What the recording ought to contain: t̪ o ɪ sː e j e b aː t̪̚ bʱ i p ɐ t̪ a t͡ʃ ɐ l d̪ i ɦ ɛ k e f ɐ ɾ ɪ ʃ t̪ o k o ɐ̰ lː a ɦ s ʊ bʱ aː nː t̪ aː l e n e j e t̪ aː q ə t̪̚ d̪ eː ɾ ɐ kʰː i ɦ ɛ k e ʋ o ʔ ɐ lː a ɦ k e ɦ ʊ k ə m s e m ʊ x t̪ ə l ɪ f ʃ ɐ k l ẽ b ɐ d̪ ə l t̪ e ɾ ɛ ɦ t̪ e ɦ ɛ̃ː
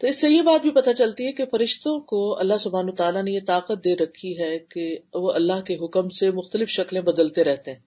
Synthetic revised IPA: t̪ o ɪ sː e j e b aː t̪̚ bʱ i p ɐ t̪ a t͡ʃ ɐ l t̪ i ɦ ɛ k e f ɐ ɾ ɪ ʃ t̪ õ k o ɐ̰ lː a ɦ s ʊ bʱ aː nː t̪ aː l a n e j e t̪ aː q ə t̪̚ d̪ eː ɾ ɐ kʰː i ɦ ɛ k e ʋ o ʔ ɐ lː a ɦ k e ɦ ʊ k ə m s e m ʊ x t̪ ə l ɪ f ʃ ɐ k l ẽ b ɐ d̪ ə l t̪ e ɾ ɛ ɦ t̪ e ɦ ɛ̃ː